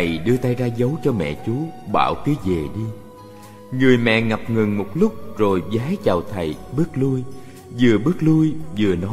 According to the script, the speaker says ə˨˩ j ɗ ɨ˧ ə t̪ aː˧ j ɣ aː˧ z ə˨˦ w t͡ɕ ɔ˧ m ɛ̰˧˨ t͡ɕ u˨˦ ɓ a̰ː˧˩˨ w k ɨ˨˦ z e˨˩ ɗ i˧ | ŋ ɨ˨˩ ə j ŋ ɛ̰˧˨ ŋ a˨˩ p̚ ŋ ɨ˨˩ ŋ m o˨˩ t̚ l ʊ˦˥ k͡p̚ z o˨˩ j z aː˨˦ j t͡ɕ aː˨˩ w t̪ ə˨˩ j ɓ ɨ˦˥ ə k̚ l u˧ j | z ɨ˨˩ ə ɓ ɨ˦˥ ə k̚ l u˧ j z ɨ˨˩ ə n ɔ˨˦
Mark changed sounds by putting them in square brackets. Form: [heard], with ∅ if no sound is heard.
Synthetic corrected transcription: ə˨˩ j ɗ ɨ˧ ə t̪ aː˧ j [z] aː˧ z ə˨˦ w t͡ɕ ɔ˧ m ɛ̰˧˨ t͡ɕ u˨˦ ɓ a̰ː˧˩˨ w k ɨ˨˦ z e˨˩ ɗ i˧ | ŋ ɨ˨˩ ə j [m] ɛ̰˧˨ ŋ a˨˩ p̚ ŋ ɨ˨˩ ŋ m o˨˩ t̚ l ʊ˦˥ k͡p̚ z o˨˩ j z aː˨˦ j t͡ɕ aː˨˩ w [t̪ʰ] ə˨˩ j ɓ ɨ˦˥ ə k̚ l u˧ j | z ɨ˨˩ ə ɓ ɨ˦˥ ə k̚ l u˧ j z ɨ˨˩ ə n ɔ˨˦